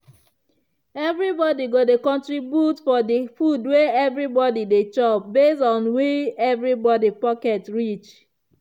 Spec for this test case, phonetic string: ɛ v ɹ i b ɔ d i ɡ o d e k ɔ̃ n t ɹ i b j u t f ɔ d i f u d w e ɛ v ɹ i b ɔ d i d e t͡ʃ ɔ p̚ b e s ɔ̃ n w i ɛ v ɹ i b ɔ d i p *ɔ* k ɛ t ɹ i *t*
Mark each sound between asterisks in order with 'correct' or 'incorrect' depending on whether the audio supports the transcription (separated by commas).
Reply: correct, incorrect